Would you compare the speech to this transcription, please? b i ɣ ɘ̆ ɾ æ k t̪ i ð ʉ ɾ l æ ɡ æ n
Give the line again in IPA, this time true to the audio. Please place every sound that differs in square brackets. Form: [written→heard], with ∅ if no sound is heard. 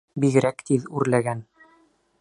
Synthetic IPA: b i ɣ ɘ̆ ɾ æ k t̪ i ð ʉ ɾ l æ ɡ æ n